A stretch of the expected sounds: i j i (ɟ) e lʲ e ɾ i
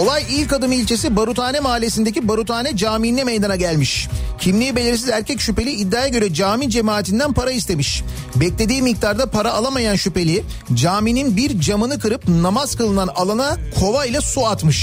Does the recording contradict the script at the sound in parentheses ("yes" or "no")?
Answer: yes